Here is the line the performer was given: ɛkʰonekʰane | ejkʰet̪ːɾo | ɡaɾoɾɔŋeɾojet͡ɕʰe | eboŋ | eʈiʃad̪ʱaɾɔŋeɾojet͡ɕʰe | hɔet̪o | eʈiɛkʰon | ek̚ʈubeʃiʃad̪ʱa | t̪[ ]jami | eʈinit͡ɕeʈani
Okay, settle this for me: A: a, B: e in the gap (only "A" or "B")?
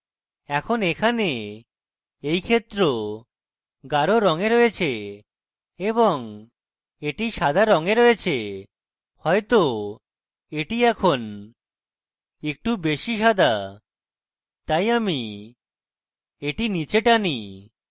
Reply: A